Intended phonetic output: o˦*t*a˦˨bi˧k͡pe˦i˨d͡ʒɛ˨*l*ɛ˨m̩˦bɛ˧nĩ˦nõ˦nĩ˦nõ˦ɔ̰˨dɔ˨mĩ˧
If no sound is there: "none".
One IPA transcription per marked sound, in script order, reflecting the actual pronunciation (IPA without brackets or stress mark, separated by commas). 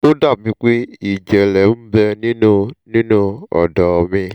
d, l